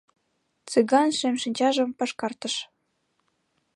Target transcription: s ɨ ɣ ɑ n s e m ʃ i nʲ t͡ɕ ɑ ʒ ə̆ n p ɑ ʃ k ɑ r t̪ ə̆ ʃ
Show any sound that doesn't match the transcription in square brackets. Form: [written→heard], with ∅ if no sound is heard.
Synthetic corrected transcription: [s→t͡s] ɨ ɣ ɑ n [s→ʃ] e m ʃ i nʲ t͡ɕ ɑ ʒ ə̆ [n→m] p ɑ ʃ k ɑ r t̪ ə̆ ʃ

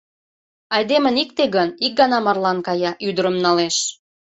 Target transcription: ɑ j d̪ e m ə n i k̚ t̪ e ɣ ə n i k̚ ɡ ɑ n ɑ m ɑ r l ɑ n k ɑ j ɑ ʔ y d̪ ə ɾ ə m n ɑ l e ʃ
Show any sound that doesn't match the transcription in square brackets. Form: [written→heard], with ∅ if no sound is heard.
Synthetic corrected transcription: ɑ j d̪ e m ə n i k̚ t̪ e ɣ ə n i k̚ ɡ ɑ n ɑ m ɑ r l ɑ n k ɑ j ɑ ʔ y d̪ ə ɾ ə m n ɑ l e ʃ

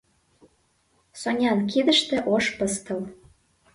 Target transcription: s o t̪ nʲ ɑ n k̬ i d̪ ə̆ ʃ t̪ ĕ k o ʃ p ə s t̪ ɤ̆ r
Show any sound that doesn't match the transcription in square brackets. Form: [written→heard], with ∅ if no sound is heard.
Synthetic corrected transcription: s o [t̪→∅] nʲ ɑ n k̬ i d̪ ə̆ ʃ t̪ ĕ [k→ʔ] o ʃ p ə s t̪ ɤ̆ [r→l]

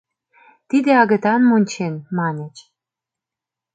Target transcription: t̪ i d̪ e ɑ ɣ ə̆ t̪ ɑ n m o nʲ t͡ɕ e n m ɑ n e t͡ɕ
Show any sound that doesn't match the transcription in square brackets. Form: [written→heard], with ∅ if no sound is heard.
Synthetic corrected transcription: t̪ i d̪ e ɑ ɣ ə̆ t̪ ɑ n m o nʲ t͡ɕ e n m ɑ n e t͡ɕ

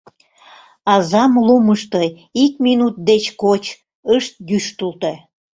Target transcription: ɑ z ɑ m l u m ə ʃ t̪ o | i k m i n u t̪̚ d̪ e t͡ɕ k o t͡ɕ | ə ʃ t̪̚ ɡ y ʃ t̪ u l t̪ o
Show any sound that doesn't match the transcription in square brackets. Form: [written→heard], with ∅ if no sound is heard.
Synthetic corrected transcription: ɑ z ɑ m l u m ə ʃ t̪ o | i k m i n u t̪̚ d̪ e t͡ɕ k o t͡ɕ | ə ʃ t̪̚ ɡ y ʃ t̪ u l t̪ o

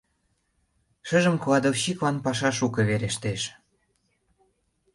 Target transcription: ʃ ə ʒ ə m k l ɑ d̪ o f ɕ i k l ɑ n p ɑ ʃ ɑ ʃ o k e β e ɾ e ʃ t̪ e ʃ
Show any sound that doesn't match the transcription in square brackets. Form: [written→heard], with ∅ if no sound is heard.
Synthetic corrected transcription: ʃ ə ʒ ə m k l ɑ d̪ o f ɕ i k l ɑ n p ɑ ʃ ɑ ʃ [o→u] k e β e ɾ e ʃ t̪ e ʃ

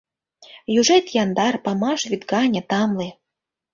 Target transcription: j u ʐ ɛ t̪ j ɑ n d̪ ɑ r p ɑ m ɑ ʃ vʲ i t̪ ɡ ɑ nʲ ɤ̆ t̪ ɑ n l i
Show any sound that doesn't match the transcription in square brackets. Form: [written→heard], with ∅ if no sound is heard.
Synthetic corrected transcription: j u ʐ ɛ t̪ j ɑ n d̪ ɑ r p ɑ m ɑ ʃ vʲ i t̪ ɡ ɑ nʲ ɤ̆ t̪ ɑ [n→m] l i

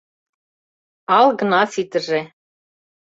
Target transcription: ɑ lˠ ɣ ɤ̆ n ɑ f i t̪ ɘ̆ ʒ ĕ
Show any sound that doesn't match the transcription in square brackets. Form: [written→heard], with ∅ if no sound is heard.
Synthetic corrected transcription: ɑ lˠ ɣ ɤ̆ n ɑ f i t̪ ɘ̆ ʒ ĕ

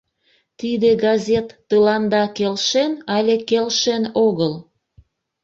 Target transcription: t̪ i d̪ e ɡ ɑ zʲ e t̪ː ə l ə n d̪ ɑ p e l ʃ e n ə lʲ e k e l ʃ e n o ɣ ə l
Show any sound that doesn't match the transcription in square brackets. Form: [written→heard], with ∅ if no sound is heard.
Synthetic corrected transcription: t̪ i d̪ e ɡ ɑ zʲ e t̪ː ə l [ə→ɑ] n d̪ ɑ [p→k] e l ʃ e n [ə→ɑ] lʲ e k e l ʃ e n o ɣ ə l

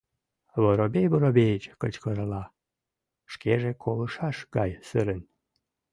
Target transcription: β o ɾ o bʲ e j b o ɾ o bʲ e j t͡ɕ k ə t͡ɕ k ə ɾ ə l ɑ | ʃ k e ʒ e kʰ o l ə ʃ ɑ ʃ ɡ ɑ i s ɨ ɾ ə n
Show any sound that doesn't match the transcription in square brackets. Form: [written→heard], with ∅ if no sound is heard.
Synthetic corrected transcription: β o ɾ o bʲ e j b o ɾ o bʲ e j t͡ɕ k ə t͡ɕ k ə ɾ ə l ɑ | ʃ k e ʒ e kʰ o l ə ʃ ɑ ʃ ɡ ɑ [i→j] s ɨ ɾ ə n

